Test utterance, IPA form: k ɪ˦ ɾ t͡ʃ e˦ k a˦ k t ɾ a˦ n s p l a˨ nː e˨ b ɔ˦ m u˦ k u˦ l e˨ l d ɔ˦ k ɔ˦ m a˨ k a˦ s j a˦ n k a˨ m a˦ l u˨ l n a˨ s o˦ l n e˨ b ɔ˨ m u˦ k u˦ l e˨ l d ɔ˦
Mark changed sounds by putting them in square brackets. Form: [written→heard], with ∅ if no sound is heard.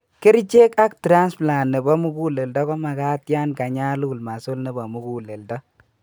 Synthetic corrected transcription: k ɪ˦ ɾ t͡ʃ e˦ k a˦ k t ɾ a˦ n s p l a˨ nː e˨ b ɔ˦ m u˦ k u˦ l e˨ l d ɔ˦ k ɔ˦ m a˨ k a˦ [s→t] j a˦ n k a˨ [m→ɲ] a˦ l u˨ l [n→m] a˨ s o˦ l n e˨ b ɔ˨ m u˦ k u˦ l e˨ l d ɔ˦